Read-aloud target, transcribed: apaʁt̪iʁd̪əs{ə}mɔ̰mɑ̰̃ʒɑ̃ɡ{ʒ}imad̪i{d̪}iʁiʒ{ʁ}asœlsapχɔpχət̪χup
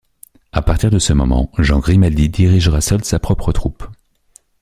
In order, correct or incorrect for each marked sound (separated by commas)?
correct, incorrect, correct, correct